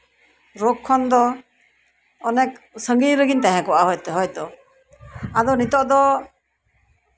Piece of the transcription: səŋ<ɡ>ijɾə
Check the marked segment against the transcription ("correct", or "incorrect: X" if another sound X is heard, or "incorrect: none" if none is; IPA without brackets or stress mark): correct